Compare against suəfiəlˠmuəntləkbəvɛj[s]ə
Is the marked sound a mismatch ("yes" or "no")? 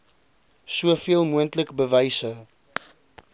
no